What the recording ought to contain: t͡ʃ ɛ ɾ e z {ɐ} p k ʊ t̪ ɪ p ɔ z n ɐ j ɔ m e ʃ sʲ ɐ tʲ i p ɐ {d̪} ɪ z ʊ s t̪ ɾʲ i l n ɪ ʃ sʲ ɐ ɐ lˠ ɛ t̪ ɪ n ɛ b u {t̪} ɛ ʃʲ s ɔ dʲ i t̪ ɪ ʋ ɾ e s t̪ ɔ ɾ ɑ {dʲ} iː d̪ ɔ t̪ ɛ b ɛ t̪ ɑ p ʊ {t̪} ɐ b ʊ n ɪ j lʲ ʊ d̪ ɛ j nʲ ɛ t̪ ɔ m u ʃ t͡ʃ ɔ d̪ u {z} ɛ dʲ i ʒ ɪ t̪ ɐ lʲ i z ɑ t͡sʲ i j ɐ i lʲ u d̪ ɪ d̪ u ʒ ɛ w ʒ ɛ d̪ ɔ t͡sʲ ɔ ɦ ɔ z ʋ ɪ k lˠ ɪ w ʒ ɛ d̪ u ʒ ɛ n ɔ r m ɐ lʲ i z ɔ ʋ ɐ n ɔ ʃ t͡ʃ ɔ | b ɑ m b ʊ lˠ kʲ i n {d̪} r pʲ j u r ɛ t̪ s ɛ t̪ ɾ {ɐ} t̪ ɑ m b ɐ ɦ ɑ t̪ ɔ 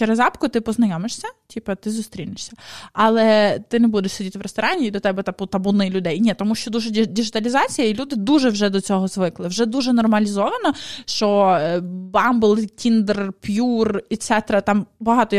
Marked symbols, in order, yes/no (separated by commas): no, no, no, no, yes, no, yes, yes